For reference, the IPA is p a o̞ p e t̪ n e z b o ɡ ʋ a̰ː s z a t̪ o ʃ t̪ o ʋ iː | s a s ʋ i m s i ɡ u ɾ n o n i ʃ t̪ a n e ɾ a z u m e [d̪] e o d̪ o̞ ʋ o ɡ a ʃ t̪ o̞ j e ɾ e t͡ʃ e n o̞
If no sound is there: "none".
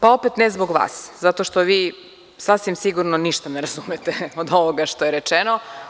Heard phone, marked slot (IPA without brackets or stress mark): t̪